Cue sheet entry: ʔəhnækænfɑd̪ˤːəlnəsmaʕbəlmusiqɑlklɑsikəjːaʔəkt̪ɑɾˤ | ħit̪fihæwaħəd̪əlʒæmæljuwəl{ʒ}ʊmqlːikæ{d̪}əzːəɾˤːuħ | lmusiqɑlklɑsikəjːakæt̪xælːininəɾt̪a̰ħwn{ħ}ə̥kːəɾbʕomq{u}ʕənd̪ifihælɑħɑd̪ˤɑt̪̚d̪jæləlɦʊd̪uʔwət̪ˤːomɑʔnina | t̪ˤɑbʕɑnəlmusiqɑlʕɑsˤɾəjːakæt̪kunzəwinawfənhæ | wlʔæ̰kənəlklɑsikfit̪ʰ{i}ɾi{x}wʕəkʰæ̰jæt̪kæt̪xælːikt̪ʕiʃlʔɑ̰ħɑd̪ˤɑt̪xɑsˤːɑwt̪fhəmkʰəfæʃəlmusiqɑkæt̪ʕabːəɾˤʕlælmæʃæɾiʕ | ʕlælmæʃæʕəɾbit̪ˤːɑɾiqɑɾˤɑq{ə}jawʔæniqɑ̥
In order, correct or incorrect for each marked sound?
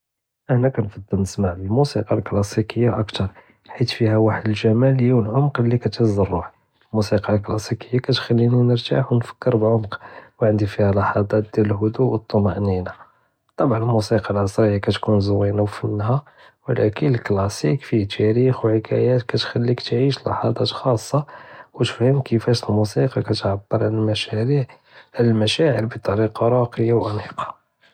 incorrect, incorrect, incorrect, incorrect, incorrect, correct, correct

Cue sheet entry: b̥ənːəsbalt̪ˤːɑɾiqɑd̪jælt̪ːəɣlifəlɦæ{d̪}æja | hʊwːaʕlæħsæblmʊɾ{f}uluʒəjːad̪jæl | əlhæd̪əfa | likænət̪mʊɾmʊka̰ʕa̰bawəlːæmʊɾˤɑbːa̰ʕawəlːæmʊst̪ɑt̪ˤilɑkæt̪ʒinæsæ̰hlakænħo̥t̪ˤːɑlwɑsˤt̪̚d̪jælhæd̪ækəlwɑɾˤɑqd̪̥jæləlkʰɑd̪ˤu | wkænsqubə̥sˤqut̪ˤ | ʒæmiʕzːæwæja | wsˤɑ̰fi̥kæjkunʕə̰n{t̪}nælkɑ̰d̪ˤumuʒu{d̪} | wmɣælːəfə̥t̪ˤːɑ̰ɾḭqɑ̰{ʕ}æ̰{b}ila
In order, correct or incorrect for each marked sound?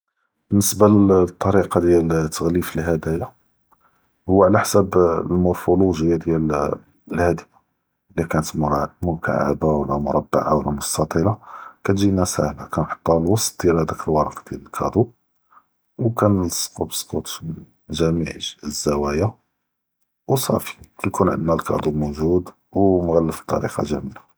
correct, correct, incorrect, correct, incorrect, incorrect

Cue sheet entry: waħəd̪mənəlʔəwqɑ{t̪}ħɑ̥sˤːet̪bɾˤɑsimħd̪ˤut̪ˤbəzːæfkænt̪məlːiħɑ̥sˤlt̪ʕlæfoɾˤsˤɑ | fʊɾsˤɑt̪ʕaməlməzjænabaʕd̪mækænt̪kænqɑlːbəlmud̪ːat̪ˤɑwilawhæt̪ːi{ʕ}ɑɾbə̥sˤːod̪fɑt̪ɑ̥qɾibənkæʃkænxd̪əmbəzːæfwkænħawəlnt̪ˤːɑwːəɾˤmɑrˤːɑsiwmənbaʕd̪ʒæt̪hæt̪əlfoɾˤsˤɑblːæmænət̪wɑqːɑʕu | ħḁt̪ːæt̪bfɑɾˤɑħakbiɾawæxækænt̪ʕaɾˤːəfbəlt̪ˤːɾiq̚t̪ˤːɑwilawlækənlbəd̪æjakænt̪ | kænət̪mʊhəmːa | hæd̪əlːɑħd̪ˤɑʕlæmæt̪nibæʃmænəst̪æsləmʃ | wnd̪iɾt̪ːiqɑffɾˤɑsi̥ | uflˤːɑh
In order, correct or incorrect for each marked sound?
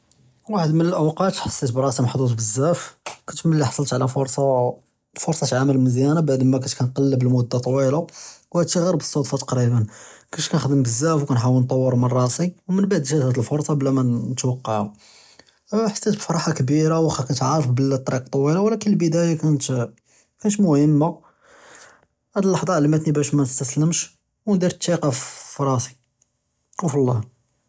correct, incorrect

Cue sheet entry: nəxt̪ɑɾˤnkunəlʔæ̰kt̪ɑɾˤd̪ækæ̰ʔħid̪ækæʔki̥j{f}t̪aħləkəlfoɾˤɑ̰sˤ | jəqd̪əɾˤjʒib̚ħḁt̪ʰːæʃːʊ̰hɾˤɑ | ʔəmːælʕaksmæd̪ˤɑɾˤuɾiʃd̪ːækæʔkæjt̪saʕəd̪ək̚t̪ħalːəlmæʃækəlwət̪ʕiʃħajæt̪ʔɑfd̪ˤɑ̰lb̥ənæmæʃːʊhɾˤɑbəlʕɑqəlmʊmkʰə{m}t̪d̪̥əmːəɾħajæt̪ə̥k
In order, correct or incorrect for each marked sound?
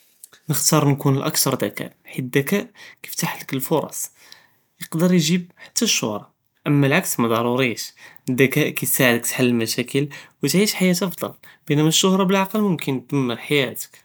correct, incorrect

